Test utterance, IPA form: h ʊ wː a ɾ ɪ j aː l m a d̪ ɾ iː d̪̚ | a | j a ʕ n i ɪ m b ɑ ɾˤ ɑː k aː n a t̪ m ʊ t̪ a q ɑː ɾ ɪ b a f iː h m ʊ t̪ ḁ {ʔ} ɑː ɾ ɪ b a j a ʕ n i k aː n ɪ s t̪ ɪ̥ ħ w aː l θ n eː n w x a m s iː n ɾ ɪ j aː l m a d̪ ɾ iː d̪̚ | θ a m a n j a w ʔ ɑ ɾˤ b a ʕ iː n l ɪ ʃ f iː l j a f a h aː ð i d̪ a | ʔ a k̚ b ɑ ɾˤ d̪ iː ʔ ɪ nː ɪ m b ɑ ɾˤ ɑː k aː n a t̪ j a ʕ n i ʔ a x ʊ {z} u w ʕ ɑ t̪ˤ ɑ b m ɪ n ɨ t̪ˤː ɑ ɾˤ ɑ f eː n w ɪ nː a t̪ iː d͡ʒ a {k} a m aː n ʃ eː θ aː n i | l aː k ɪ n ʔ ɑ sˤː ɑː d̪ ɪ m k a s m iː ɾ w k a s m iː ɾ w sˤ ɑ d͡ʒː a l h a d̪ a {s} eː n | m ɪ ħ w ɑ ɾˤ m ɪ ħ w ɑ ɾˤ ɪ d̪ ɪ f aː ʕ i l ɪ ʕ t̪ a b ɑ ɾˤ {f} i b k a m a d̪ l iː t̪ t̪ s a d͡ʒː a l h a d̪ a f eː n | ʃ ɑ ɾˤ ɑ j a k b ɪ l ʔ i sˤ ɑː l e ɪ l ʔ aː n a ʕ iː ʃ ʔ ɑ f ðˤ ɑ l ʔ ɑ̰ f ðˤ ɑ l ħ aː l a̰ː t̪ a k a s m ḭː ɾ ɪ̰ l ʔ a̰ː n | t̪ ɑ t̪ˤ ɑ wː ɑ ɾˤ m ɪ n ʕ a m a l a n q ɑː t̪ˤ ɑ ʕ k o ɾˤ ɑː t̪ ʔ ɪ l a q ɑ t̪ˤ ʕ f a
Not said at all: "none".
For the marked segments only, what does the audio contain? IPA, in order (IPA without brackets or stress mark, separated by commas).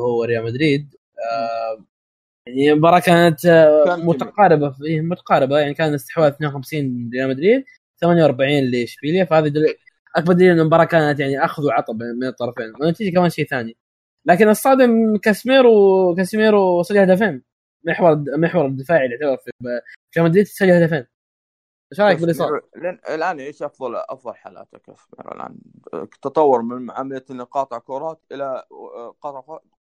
q, ð, k, f, f